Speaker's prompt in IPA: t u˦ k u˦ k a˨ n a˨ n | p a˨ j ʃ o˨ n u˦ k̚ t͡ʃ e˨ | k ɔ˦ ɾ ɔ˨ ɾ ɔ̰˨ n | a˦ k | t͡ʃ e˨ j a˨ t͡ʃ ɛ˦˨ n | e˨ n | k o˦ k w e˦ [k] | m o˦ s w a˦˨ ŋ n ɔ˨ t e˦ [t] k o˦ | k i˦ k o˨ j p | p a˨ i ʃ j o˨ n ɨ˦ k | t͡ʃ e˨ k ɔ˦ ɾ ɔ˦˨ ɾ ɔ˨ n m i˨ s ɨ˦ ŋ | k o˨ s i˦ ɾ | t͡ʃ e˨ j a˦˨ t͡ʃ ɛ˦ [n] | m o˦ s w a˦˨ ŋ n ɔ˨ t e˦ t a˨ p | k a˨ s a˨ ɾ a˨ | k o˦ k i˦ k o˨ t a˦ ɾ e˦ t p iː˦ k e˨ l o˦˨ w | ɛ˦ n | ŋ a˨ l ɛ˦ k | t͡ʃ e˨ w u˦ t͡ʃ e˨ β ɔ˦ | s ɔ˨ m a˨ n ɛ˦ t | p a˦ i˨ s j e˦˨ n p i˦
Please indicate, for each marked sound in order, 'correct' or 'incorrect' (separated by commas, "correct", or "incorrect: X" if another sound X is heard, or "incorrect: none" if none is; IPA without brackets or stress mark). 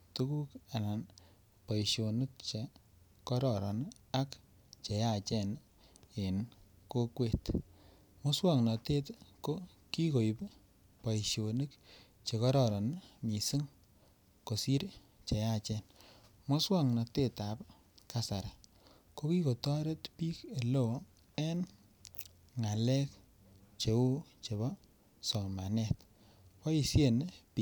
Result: incorrect: t, correct, correct